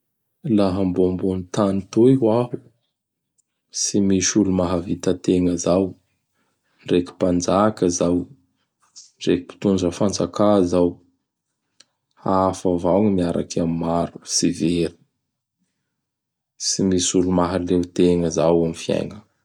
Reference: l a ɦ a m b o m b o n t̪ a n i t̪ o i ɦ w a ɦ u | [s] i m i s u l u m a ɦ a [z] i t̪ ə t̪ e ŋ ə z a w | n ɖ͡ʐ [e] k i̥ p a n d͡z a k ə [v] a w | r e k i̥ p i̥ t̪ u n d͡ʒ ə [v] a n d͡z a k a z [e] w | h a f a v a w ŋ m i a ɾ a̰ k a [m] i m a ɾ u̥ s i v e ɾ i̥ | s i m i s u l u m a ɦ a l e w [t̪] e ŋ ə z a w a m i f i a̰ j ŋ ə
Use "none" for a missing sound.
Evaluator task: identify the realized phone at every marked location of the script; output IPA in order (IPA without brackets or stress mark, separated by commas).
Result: s, v, e, z, f, a, m, t̪